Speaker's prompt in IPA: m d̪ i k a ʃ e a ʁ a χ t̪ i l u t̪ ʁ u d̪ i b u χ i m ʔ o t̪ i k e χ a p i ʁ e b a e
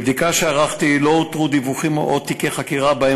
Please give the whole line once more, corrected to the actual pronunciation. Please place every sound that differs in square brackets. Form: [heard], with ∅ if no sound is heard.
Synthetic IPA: [b] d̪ i k a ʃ e a ʁ a χ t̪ i l [o] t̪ ʁ u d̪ i [v] u χ i m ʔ o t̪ i k e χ a [k] i ʁ [a] b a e